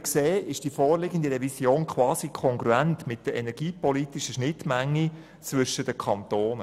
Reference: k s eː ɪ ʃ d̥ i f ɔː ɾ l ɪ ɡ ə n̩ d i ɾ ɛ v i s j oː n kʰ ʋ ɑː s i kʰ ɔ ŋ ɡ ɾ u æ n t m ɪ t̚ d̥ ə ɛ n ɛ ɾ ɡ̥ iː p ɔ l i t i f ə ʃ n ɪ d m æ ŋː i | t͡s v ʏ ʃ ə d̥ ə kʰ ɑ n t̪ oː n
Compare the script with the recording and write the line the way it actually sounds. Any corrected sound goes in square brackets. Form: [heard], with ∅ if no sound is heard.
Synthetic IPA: k s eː ɪ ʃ d̥ i f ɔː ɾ l ɪ ɡ ə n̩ d i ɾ ɛ v i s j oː n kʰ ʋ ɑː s i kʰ ɔ ŋ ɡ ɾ u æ n t m ɪ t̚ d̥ ə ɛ n ɛ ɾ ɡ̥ iː p ɔ l i t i [ʃ] ə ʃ n ɪ [t] m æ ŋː i | t͡s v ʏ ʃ ə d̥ ə kʰ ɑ n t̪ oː n